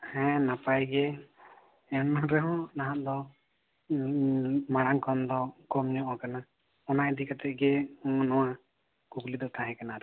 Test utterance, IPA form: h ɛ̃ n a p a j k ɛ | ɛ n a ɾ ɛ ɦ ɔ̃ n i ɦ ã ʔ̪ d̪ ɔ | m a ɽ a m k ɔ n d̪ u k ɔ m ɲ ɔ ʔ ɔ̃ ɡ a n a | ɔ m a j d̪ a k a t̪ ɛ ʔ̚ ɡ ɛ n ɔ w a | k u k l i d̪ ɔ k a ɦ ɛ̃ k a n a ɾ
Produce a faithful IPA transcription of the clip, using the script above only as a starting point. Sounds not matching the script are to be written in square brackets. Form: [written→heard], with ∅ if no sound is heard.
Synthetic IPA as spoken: h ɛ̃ n a p a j [k→ɡ] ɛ | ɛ n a ɾ ɛ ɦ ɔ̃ n [i→a] ɦ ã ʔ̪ d̪ ɔ | m a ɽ a [m→ŋ] k ɔ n d̪ [u→ɔ] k ɔ m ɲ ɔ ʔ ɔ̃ [ɡ→k] a n a | ɔ [m→n] a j d̪ [a→i] k a t̪ ɛ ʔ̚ ɡ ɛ n ɔ w a | k u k l i d̪ ɔ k a ɦ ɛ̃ k a n a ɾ